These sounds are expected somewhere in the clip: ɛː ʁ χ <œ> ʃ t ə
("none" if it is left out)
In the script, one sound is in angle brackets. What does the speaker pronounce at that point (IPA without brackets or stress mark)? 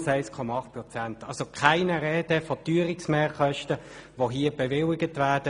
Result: œ